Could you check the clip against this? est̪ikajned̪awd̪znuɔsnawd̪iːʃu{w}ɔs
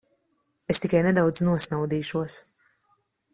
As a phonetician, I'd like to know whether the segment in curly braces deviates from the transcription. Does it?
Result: yes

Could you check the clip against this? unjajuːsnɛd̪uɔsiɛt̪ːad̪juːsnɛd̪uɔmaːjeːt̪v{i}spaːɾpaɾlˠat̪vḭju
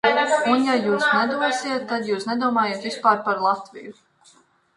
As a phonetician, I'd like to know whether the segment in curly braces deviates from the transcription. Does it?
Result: no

